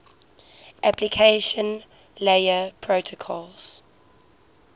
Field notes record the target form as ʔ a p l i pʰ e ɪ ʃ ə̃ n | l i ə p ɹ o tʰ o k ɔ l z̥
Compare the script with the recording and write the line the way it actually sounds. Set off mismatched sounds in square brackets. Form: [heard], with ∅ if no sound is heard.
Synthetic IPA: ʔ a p l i [kʰ] e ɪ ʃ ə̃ n | l [e] ə [pʰ] ɹ o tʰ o [kʰ] ɔ l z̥